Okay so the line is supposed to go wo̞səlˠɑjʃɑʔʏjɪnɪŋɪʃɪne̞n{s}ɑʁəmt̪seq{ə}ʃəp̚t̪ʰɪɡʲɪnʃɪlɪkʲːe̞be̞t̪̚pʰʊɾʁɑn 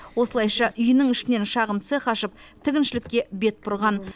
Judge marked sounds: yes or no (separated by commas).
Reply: no, no